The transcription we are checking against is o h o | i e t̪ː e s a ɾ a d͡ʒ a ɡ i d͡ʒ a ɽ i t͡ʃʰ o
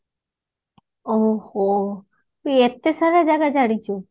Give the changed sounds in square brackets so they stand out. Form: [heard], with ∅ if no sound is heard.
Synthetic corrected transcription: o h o | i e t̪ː e s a ɾ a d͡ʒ a ɡ [a] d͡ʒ a ɽ i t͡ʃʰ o